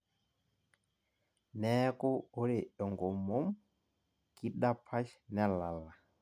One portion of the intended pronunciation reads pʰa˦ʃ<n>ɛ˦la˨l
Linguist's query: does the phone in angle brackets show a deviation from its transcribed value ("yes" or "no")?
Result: no